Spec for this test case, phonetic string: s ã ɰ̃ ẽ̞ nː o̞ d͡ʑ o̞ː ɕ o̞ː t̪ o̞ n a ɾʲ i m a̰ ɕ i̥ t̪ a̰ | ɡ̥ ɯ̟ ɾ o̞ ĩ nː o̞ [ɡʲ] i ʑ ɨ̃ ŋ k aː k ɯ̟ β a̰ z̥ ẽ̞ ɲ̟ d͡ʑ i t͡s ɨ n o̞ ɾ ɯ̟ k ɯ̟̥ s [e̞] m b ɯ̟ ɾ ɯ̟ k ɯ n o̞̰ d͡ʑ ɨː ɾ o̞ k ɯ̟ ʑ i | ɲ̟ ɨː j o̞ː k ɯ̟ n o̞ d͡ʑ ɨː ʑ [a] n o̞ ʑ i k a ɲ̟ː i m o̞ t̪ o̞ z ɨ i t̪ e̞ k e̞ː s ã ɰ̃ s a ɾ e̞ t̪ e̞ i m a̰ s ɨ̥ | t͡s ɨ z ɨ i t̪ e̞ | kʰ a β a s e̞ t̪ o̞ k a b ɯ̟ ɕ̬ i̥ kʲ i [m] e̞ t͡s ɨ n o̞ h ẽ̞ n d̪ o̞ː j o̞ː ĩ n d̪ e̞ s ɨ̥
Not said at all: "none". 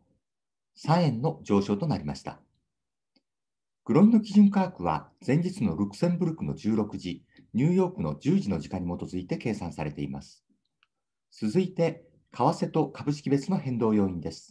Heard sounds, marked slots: kʲ, ẽ̞, i, b

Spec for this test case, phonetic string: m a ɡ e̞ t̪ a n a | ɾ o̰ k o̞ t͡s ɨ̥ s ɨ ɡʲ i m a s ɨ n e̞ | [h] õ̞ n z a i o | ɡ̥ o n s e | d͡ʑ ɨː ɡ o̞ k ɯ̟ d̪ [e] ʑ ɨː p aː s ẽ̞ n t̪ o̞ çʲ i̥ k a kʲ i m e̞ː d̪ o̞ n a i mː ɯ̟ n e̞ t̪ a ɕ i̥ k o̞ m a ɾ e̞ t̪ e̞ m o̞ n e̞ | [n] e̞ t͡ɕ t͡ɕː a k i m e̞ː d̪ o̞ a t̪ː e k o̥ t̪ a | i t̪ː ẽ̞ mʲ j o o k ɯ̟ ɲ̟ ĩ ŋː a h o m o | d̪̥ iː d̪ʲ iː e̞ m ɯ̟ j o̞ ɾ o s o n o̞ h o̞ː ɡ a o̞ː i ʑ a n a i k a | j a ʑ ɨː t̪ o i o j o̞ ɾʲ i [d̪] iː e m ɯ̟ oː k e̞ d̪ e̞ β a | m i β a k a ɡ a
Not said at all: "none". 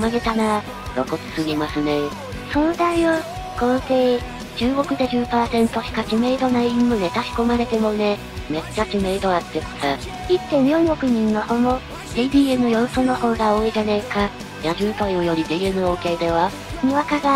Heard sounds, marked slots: s, e, m, d̪

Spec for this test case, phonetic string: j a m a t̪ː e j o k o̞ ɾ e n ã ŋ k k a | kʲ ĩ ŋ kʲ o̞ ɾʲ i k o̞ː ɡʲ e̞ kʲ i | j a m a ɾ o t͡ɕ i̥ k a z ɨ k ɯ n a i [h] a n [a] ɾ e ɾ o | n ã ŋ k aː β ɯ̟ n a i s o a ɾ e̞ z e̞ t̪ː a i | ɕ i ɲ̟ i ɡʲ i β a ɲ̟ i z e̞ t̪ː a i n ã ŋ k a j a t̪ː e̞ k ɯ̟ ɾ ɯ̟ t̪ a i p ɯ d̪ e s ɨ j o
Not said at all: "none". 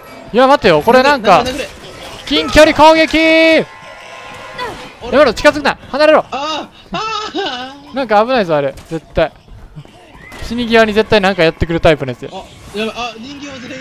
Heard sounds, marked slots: h, a

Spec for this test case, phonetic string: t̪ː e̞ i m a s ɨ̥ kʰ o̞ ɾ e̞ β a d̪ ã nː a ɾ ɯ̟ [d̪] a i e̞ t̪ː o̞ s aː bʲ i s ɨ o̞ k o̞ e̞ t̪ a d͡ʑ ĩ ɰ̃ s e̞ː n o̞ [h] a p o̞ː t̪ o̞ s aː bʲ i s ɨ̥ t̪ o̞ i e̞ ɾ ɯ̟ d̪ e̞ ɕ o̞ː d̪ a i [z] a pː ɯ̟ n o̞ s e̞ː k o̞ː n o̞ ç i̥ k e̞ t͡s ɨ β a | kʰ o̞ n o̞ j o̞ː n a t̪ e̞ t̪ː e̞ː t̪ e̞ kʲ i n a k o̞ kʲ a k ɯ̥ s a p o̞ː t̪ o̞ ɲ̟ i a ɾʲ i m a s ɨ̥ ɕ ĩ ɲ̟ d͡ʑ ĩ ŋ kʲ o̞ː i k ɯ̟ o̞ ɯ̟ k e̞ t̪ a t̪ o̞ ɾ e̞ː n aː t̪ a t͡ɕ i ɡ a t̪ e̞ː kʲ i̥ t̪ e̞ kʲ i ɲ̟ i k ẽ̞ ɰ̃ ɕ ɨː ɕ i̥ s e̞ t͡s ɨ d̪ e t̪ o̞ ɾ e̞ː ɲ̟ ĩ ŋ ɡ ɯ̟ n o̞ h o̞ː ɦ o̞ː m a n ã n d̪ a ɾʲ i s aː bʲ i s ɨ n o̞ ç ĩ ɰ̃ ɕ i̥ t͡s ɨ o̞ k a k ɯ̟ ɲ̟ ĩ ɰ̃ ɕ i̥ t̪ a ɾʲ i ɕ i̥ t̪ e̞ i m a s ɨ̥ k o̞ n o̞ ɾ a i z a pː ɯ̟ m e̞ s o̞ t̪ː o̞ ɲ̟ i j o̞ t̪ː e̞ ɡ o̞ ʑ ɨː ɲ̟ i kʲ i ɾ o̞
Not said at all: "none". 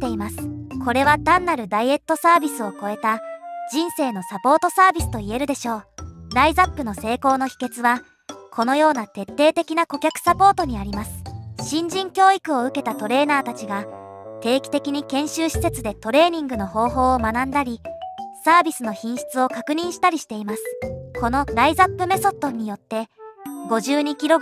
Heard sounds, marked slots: d̪, s, z

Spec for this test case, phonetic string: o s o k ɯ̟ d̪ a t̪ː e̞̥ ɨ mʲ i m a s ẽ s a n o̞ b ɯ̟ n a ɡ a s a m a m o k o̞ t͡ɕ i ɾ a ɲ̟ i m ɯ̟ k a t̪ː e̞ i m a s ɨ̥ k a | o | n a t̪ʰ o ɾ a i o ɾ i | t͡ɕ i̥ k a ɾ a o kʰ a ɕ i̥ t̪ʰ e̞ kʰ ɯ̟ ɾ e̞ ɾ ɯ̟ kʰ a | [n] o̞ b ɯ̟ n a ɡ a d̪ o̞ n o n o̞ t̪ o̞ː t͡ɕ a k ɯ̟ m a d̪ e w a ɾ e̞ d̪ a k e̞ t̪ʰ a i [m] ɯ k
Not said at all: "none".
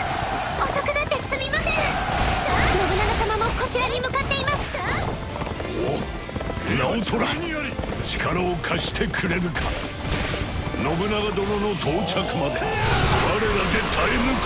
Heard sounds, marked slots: n, m

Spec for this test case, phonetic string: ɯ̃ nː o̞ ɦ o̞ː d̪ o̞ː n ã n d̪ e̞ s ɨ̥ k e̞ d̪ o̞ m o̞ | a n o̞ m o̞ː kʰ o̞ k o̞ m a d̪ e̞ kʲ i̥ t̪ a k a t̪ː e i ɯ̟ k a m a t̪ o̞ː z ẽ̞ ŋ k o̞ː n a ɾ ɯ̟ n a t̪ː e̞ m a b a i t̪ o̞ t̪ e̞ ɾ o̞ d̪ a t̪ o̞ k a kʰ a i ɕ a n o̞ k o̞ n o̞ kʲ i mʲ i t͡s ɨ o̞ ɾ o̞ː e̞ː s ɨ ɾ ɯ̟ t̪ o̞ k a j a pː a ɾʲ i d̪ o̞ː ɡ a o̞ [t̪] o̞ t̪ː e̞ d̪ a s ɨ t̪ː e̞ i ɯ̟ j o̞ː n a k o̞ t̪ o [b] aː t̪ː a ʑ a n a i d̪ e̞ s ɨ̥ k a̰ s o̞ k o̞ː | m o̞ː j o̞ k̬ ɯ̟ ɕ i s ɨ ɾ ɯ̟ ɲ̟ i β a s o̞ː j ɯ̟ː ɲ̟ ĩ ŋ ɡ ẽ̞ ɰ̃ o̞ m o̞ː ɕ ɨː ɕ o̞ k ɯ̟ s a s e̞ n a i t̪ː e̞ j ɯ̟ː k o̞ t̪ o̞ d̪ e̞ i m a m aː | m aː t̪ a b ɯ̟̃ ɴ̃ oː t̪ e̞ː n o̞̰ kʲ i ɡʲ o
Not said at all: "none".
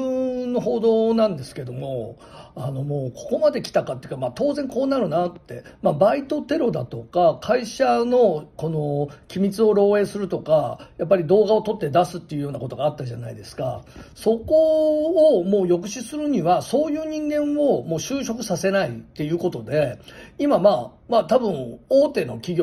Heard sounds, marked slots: t̪, ɡ

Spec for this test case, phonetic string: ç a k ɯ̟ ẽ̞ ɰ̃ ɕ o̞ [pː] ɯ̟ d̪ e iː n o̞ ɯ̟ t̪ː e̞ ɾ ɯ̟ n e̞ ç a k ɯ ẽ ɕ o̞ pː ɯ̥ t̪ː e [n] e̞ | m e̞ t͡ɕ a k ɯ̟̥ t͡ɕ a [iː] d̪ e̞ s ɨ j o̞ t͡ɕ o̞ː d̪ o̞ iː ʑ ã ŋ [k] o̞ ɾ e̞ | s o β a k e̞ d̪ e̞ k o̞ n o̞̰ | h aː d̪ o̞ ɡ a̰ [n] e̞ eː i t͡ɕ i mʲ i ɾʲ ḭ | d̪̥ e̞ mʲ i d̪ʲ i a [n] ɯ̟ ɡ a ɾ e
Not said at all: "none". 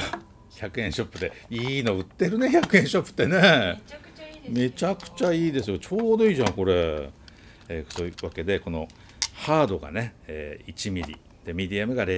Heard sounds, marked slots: pː, n, iː, k, n, m

